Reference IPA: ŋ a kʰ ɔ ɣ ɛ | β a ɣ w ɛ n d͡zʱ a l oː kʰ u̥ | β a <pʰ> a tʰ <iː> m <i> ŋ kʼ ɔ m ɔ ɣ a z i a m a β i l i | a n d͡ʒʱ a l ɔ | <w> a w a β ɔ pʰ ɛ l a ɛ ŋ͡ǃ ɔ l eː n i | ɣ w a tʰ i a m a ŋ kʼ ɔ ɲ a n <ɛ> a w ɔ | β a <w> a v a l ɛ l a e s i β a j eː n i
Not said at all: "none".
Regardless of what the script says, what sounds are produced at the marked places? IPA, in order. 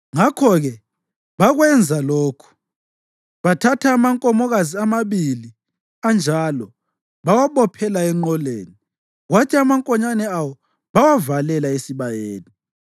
tʰ, aː, a, β, ɛ, w

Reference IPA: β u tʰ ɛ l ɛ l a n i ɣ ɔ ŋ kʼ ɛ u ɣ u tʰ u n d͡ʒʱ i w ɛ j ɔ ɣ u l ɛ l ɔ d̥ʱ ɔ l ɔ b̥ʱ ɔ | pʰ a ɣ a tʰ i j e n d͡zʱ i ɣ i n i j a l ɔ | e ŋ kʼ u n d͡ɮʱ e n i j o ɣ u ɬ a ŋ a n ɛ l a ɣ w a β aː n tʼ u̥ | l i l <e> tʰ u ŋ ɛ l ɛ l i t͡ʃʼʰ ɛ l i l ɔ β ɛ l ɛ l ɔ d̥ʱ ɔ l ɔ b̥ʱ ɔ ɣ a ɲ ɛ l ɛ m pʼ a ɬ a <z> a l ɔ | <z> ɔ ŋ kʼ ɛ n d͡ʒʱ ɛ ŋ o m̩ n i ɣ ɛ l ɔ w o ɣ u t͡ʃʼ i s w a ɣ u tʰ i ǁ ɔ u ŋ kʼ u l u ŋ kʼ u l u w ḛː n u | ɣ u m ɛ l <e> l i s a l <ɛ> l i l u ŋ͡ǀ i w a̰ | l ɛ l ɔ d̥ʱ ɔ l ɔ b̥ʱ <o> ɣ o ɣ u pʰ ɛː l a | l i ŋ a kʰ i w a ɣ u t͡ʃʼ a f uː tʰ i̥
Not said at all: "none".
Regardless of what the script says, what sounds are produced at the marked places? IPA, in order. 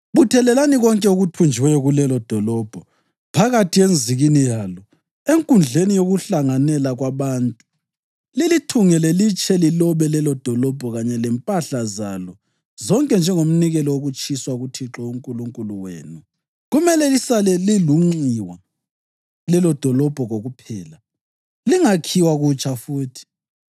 i, z, z, ɛ, ɛ, ɔ

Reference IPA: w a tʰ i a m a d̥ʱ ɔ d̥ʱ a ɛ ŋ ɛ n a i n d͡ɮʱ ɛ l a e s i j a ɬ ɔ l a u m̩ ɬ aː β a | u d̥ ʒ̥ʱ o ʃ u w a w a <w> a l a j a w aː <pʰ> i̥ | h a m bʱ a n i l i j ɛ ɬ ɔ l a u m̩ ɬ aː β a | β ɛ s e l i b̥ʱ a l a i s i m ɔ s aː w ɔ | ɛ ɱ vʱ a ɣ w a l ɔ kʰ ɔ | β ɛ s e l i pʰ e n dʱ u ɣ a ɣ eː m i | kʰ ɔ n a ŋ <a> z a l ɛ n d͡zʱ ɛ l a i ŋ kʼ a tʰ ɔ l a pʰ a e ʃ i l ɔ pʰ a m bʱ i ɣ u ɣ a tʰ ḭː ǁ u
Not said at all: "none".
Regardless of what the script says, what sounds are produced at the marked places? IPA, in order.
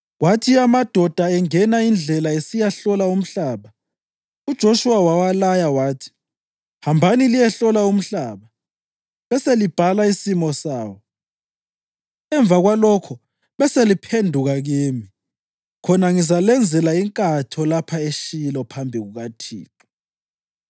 w, tʰ, i

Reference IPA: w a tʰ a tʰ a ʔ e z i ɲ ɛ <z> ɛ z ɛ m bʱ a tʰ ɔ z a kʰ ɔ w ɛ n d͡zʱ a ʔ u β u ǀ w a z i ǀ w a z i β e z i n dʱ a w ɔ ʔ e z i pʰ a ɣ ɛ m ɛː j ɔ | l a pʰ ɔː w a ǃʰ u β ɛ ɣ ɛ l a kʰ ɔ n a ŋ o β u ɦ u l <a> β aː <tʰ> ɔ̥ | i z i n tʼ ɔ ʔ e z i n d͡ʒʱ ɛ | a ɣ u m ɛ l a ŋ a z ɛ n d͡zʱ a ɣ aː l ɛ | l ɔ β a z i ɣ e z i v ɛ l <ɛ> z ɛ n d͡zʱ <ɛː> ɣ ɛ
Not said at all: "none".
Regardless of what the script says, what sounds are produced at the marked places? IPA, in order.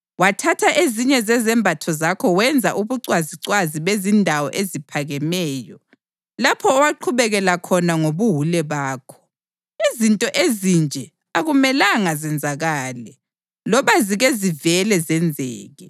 z, ɛ, kʰ, ɛ, ɛː

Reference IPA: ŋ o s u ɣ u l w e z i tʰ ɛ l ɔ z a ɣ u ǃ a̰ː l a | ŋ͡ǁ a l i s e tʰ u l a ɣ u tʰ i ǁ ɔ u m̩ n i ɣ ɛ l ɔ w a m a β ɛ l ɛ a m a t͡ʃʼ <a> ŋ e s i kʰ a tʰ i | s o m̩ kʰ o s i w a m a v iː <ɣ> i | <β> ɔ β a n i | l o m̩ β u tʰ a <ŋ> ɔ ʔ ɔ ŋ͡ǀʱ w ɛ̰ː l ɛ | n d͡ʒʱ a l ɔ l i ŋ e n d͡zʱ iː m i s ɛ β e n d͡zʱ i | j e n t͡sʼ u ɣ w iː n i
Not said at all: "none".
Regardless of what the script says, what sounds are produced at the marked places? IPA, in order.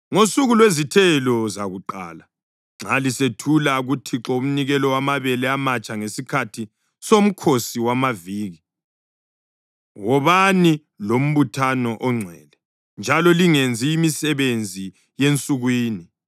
a, ɣ, w, n

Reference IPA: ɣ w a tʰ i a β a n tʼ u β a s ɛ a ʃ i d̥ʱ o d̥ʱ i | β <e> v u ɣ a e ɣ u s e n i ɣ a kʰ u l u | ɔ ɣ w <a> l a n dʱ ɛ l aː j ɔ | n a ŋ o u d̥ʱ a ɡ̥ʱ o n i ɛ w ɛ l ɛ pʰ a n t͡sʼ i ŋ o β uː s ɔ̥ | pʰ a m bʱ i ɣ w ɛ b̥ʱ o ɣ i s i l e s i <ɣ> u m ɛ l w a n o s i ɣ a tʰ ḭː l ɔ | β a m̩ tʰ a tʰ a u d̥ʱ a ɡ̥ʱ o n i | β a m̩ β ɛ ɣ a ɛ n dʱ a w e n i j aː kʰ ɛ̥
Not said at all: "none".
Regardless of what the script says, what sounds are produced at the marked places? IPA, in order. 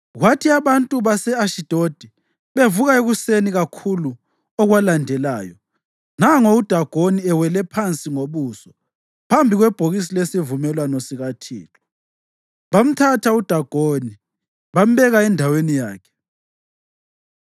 e, a, v

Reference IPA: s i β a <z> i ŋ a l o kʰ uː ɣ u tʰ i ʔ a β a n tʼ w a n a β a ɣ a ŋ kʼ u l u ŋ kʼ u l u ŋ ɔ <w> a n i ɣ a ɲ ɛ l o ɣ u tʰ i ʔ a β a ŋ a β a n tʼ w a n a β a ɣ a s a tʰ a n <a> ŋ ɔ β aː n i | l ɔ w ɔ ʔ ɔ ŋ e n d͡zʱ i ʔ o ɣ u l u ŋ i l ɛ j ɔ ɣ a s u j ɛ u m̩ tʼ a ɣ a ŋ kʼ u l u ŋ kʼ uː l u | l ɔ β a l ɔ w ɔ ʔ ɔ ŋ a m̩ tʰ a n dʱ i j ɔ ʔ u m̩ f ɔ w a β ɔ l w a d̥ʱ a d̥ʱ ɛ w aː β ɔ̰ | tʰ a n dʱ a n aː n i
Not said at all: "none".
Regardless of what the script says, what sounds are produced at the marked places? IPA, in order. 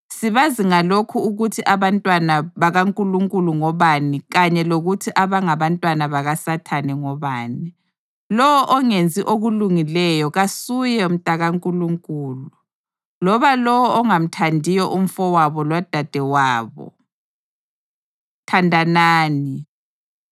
z, β, ɛ

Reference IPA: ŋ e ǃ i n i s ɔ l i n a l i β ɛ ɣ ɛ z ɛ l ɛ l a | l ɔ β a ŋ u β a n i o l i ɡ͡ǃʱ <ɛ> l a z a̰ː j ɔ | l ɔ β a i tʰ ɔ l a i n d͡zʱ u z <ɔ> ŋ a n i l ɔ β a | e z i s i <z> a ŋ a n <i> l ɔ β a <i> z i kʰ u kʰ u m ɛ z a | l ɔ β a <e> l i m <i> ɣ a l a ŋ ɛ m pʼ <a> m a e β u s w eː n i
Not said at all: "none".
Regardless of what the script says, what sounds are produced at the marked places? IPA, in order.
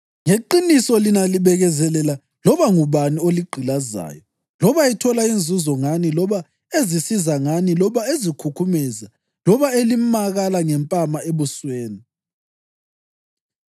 i, ɔ, z, i, e, e, a, a

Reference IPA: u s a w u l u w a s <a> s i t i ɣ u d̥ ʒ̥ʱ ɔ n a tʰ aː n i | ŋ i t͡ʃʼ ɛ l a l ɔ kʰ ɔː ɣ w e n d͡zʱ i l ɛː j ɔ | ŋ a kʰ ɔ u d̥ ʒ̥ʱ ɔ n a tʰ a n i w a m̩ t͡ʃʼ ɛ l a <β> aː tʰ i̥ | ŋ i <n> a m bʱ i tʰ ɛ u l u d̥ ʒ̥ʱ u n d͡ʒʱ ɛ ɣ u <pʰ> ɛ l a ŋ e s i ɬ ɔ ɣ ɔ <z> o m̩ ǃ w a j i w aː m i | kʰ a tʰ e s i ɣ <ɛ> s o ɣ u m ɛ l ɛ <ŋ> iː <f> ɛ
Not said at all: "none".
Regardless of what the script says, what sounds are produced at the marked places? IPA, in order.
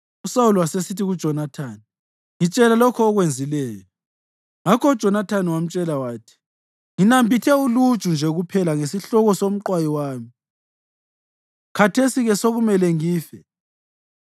e, w, n, pʰ, s, ɛ, ŋ, f

